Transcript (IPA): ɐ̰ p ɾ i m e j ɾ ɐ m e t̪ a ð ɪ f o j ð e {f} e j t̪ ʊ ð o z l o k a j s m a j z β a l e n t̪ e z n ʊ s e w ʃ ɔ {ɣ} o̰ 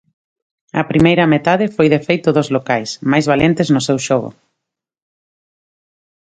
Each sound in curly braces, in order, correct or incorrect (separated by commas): correct, correct